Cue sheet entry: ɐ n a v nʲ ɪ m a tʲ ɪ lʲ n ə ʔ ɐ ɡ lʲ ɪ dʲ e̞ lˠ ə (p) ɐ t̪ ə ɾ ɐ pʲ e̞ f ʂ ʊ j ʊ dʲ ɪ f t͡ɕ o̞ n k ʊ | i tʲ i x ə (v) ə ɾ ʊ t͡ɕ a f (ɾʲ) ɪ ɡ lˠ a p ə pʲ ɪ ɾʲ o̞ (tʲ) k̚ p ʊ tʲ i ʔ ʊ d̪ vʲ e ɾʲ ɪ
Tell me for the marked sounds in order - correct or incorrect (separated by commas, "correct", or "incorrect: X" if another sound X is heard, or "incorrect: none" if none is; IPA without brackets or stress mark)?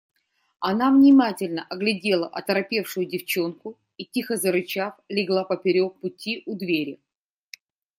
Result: incorrect: ʔ, incorrect: z, incorrect: lʲ, incorrect: none